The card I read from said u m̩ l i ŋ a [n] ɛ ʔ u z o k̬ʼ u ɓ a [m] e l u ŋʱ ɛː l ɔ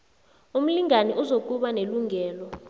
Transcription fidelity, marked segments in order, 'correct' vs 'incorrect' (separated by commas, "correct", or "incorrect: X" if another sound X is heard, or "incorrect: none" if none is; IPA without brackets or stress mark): correct, incorrect: n